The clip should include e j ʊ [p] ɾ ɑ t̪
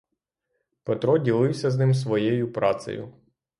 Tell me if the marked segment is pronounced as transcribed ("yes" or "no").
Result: yes